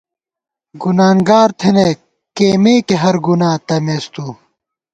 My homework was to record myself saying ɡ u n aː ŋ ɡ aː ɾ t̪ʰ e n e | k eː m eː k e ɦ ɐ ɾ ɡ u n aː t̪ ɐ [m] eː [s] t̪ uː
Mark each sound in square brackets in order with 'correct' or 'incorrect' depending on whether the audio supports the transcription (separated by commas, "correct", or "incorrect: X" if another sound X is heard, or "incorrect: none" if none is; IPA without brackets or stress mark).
correct, correct